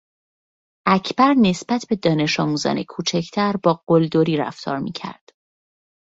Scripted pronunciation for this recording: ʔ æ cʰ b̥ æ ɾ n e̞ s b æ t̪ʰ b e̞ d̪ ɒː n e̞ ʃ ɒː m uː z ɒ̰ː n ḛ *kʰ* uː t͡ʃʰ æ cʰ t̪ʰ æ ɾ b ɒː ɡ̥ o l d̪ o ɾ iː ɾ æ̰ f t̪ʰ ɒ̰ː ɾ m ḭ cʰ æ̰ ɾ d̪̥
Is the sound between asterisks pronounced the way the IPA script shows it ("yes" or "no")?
yes